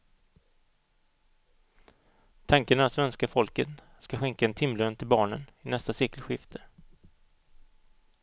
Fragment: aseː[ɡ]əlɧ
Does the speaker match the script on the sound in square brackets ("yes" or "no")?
no